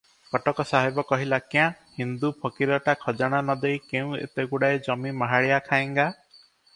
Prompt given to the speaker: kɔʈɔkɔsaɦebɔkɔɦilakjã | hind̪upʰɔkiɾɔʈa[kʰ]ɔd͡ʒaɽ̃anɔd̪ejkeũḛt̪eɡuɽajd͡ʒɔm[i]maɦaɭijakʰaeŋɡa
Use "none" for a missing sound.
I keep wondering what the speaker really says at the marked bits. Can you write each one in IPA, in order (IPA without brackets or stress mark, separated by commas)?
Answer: kʰ, i